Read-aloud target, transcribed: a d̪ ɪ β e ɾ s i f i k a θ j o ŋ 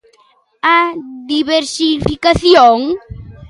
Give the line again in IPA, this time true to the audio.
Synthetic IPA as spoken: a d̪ i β e ɾ s i f i k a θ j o ŋ